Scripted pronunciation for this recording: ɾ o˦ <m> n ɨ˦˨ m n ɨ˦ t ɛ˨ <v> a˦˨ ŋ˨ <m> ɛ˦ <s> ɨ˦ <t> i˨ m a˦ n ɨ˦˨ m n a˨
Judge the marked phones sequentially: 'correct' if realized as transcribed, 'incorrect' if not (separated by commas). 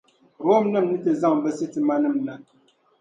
correct, incorrect, incorrect, correct, correct